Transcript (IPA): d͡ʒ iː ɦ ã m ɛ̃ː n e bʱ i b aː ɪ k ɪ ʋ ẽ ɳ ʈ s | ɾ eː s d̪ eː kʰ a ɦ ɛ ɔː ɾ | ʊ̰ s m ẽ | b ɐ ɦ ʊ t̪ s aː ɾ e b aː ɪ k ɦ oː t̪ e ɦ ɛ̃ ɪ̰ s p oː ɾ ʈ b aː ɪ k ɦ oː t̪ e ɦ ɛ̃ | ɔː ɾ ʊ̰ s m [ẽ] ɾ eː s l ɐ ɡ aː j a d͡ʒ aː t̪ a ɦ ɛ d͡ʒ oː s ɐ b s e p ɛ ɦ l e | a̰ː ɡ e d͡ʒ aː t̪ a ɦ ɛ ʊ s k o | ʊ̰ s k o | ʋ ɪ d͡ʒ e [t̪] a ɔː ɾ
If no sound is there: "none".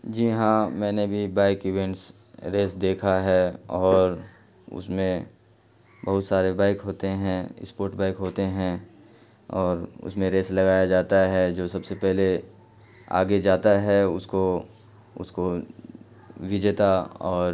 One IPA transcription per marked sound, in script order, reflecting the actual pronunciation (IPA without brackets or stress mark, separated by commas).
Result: ẽ, t̪